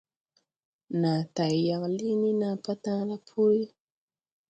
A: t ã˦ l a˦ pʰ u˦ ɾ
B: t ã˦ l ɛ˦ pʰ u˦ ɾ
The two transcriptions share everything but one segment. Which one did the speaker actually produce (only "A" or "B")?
A